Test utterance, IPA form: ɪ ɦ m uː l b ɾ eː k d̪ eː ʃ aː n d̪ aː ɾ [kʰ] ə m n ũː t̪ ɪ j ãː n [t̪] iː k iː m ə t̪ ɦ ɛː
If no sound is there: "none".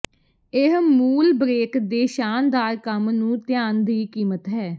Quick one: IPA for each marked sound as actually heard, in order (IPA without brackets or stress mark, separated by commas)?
k, d̪